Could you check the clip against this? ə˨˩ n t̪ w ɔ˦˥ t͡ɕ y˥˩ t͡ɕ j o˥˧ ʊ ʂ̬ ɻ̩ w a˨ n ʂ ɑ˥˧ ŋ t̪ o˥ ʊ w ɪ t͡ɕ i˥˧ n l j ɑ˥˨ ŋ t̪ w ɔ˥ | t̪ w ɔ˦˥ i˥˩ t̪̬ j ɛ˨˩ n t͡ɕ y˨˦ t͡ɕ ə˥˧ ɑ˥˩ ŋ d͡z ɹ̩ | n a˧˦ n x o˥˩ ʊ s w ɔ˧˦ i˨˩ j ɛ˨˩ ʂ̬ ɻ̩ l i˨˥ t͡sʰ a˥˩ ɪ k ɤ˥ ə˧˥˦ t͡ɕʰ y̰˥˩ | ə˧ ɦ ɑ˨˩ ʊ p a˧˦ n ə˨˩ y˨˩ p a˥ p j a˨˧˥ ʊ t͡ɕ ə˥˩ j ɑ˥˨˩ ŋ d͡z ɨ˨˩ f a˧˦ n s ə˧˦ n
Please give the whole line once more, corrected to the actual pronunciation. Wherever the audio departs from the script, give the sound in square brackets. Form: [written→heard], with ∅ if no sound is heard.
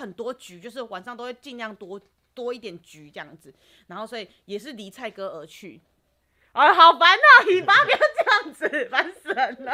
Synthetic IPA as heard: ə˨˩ n t̪ w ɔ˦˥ t͡ɕ [y˥˩→y˨˦] t͡ɕ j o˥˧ ʊ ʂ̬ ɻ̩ w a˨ n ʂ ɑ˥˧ ŋ t̪ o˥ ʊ w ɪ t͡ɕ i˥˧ n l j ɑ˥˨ ŋ t̪ w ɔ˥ | t̪ w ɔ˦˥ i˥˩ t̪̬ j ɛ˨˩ n t͡ɕ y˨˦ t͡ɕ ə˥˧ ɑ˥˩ ŋ d͡z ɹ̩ | n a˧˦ n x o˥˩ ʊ s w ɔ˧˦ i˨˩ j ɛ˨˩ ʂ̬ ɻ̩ l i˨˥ t͡sʰ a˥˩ ɪ k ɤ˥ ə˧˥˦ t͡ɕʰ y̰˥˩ | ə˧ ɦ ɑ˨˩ ʊ p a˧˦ n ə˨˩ [y˨˩→i˨˩] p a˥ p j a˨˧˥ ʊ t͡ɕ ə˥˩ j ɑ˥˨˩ ŋ d͡z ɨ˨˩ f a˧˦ n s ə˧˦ n